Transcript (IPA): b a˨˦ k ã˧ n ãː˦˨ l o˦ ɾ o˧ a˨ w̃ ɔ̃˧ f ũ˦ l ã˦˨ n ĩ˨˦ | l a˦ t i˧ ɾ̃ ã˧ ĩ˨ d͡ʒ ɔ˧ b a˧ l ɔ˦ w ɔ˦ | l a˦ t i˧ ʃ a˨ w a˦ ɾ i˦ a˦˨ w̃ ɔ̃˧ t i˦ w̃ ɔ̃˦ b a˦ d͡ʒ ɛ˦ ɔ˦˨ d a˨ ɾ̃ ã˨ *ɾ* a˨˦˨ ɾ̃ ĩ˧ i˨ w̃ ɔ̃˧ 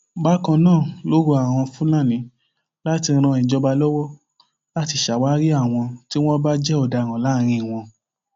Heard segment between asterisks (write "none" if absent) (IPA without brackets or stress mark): l